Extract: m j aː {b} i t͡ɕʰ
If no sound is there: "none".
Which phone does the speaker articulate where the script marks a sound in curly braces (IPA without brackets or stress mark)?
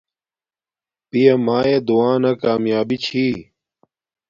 b